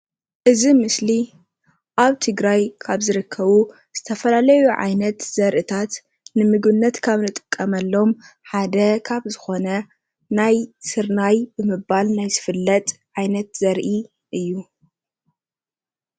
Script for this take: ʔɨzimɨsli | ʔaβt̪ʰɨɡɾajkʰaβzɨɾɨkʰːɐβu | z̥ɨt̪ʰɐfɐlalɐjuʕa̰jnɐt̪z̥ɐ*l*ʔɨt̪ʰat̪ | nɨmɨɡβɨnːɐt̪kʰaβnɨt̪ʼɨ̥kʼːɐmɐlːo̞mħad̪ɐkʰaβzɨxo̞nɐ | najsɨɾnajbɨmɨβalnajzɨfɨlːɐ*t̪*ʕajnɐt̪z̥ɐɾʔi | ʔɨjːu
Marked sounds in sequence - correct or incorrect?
incorrect: ɾ, incorrect: t̪ʼ

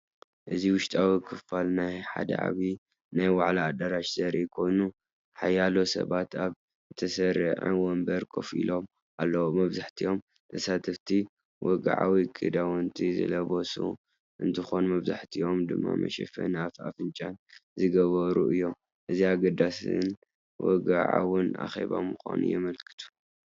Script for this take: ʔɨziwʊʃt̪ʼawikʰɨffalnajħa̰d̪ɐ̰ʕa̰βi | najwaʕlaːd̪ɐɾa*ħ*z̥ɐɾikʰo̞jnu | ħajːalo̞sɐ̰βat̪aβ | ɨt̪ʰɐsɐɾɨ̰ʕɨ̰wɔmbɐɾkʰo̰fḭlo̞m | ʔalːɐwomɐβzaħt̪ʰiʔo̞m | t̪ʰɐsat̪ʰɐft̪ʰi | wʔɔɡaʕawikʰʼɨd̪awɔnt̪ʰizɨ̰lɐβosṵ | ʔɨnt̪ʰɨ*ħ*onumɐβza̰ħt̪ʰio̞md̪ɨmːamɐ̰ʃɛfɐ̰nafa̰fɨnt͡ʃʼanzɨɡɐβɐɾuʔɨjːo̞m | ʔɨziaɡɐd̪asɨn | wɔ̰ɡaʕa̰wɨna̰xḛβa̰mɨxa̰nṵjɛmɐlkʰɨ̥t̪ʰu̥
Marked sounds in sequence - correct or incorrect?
incorrect: ʃ, incorrect: x

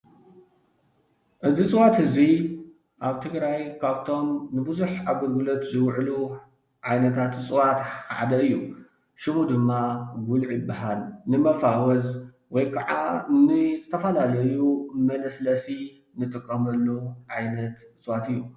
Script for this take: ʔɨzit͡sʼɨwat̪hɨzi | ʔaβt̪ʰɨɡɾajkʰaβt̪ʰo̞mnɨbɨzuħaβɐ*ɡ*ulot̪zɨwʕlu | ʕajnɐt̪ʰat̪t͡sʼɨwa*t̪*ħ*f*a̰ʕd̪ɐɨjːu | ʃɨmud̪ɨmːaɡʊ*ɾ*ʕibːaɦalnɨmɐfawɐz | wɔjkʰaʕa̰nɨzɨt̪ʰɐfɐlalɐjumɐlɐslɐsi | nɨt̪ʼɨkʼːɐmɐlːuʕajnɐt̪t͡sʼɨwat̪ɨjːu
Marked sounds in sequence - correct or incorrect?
correct, correct, incorrect: ħ, incorrect: l

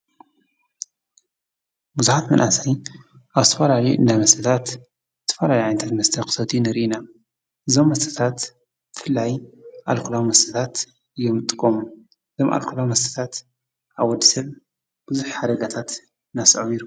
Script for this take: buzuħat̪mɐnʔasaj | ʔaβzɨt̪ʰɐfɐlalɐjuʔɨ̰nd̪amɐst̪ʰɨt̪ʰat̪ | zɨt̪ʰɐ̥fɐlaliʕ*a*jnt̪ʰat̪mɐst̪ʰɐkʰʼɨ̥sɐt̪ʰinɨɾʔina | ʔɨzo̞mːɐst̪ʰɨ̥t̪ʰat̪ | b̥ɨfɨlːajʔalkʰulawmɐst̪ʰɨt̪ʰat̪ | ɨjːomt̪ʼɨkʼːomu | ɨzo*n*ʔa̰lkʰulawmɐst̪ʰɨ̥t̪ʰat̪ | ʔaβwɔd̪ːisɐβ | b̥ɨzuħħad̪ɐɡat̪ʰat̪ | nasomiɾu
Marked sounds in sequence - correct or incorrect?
correct, incorrect: m

